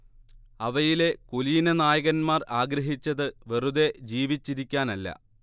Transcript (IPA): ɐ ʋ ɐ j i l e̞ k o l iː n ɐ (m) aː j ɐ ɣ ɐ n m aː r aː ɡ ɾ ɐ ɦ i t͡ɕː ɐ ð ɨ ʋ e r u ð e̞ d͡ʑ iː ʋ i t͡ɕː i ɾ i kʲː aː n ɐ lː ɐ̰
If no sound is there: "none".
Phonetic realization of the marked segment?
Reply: n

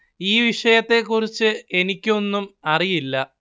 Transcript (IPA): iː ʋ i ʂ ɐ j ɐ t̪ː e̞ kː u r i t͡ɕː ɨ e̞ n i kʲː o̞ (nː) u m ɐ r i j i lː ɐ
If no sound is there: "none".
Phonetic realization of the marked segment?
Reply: nː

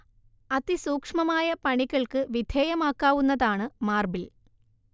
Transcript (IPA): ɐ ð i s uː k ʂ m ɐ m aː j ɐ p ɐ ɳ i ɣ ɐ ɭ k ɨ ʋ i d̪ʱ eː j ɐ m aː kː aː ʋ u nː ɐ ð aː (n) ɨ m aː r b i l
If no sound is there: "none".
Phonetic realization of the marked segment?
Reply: ɳ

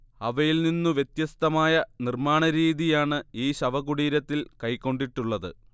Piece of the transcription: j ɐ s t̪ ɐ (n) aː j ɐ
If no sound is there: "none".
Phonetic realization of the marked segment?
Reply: m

